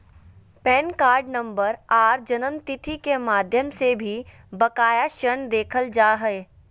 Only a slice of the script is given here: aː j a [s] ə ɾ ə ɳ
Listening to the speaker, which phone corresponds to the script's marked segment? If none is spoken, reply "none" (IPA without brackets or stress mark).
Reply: ʃ